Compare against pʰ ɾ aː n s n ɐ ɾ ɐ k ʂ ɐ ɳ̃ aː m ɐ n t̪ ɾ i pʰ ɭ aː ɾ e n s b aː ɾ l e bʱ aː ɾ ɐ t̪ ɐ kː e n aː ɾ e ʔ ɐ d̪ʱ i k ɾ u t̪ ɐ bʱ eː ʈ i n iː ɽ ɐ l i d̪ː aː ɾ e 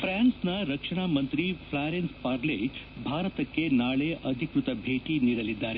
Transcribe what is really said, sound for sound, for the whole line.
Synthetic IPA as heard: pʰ ɾ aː n s n ɐ ɾ ɐ k ʂ ɐ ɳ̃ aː m ɐ n t̪ ɾ i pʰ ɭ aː ɾ e n s p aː ɾ l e bʱ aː ɾ ɐ t̪ ɐ kː e n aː ɭ e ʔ ɐ d̪ʱ i k ɾ u t̪ ɐ bʱ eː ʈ i n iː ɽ ɐ l i d̪ː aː ɾ e

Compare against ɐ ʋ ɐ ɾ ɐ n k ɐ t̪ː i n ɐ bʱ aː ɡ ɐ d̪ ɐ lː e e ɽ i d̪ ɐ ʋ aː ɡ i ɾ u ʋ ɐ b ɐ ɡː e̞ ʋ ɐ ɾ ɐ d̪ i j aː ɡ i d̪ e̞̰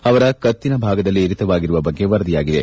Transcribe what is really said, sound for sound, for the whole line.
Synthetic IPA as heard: ɐ ʋ ɐ ɾ ɐ k ɐ t̪ː i n ɐ bʱ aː ɡ ɐ d̪ ɐ lː i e ɾ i t̪ ɐ ʋ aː ɡ i ɾ u ʋ ɐ b ɐ ɡː e̞ ʋ ɐ ɾ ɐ d̪ i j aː ɡ i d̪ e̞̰

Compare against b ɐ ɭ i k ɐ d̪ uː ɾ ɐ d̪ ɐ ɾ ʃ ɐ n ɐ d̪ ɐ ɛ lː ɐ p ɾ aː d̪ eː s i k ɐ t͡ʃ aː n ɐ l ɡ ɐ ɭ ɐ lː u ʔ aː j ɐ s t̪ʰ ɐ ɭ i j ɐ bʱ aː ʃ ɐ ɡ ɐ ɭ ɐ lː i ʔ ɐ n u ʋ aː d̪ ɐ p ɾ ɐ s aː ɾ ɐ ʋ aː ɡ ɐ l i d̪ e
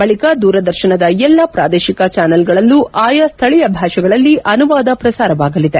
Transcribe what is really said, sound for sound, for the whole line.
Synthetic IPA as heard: b ɐ ɭ i k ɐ d̪ uː ɾ ɐ d̪ ɐ ɾ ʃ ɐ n ɐ d̪ ɐ ɛ lː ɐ p ɾ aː d̪ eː ʃ i k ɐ t͡ʃ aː n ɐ l ɡ ɐ ɭ ɐ lː u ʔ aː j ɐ s t̪ʰ ɐ ɭ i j ɐ bʱ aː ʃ ɐ ɡ ɐ ɭ ɐ lː i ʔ ɐ n u ʋ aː d̪ ɐ p ɾ ɐ s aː ɾ ɐ ʋ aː ɡ ɐ l i d̪ e

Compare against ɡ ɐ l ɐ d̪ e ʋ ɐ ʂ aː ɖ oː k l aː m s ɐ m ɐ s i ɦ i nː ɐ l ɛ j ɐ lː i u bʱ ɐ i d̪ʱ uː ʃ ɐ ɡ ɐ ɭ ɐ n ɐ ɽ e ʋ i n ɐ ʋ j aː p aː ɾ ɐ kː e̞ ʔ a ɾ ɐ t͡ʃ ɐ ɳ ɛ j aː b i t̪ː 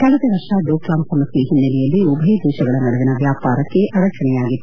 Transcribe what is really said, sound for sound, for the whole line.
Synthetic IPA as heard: k ɐ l ɐ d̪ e ʋ ɐ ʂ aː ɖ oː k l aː m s ɐ m ɐ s i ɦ i nː ɐ l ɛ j ɐ lː i u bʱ ɐ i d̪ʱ uː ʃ ɐ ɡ ɐ ɭ ɐ n ɐ ɽ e ʋ i n ɐ ʋ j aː p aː ɾ ɐ kː e̞ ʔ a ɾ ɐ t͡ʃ ɐ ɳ ɛ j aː ɡ i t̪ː

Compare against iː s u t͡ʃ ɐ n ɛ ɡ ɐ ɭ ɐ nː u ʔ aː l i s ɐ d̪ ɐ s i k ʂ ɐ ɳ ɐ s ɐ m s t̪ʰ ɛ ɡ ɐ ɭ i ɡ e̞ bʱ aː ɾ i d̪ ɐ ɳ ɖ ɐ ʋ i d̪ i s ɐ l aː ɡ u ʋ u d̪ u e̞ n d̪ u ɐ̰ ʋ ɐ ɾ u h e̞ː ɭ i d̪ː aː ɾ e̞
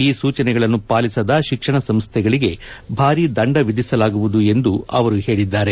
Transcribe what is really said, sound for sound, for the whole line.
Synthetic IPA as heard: iː s uː t͡ʃ ɐ n ɛ ɡ ɐ ɭ ɐ nː u p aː l i s ɐ d̪ ɐ ʃ i k ʂ ɐ ɳ ɐ s ɐ m s t̪ʰ ɛ ɡ ɐ ɭ i ɡ e̞ bʱ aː ɾ i d̪ ɐ ɳ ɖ ɐ ʋ i d̪ i s ɐ l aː ɡ u ʋ u d̪ u e̞ n d̪ u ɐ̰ ʋ ɐ ɾ u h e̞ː ɭ i d̪ː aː ɾ e̞

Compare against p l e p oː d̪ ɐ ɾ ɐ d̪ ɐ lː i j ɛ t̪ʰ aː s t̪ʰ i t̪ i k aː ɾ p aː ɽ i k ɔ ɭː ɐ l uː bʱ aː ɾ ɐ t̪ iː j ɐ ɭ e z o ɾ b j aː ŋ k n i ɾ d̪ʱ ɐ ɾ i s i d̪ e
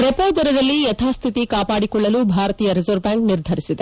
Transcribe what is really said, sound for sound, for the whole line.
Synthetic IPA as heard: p ɾ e p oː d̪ ɐ ɾ ɐ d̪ ɐ lː i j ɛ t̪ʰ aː s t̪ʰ i t̪ i k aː p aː ɽ i k ɔ ɭː ɐ l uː bʱ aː ɾ ɐ t̪ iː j ɐ ɾ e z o ɾ b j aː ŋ k n i ɾ d̪ʱ ɐ ɾ i s i d̪ e

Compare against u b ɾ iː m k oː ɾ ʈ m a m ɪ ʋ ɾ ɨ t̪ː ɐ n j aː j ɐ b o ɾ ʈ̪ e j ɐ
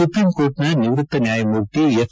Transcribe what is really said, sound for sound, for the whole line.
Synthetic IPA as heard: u p ɾ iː m k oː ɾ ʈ n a n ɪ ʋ ɾ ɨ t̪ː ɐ n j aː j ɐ m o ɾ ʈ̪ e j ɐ

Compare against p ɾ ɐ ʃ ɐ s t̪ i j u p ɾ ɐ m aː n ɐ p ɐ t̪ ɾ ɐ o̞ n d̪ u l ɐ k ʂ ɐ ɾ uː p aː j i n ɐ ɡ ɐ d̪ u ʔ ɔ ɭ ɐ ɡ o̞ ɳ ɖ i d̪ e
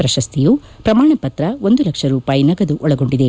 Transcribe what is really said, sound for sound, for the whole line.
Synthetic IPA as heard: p ɾ ɐ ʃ ɐ s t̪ i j u p ɾ ɐ m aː ɳ ɐ p ɐ t̪ ɾ ɐ o̞ n d̪ u l ɐ k ʂ ɐ ɾ uː p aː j i n ɐ ɡ ɐ d̪ u ʔ ɔ ɭ ɐ ɡ o̞ ɳ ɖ i d̪ e

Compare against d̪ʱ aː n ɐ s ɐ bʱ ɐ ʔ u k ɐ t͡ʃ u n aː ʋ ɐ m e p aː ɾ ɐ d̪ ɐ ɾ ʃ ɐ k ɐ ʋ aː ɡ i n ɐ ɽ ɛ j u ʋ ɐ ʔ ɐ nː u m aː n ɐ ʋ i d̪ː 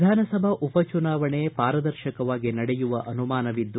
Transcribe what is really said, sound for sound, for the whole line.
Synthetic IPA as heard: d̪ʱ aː n ɐ s ɐ bʱ ɐ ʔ u p ɐ t͡ʃ u n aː ʋ ɐ ɳ e p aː ɾ ɐ d̪ ɐ ɾ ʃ ɐ k ɐ ʋ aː ɡ i n ɐ ɽ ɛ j u ʋ ɐ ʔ ɐ n u m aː n ɐ ʋ i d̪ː

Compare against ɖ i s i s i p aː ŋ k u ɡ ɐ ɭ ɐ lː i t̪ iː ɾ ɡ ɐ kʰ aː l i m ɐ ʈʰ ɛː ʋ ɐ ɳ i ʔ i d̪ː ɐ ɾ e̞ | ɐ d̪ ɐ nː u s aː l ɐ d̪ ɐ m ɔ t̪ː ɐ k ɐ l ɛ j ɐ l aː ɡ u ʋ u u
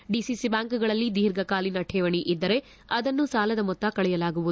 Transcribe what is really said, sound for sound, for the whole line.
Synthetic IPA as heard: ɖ i s i s i b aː ŋ k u ɡ ɐ ɭ ɐ lː i d̪ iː ɾ ɡ ɐ k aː l i n ɐ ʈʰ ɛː ʋ ɐ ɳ i ʔ i d̪ː ɐ ɾ e̞ | ɐ d̪ ɐ nː u s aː l ɐ d̪ ɐ m ɔ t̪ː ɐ k ɐ ɭ ɛ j ɐ l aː ɡ u ʋ u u

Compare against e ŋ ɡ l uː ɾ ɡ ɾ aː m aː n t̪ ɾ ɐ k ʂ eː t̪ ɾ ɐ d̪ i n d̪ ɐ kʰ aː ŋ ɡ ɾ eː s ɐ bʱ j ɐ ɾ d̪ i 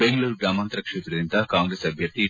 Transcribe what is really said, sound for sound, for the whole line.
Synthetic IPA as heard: e ŋ ɡ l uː ɾ ɡ ɾ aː m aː n t̪ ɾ ɐ k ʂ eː t̪ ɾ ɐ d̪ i n t̪ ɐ k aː ŋ ɡ ɾ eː s ɐ bʱ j ɐ ɾ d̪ i

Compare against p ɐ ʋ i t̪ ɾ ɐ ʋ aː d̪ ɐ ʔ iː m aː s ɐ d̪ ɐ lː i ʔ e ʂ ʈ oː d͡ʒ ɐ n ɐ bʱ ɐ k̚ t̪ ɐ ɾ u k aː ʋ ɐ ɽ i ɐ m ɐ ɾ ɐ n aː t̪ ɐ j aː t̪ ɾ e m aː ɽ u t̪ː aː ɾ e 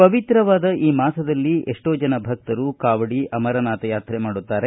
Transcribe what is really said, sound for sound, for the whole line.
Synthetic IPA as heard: p ɐ ʋ i t̪ ɾ ɐ ʋ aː d̪ ɐ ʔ iː m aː s ɐ d̪ ɐ lː i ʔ e ʂ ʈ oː d͡ʒ ɐ n ɐ bʱ ɐ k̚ t̪ ɐ ɾ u k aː ʋ ɐ ɽ i ɐ m ɐ ɾ ɐ n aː t̪ ɐ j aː t̪ ɾ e m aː ɽ u t̪ː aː ɾ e

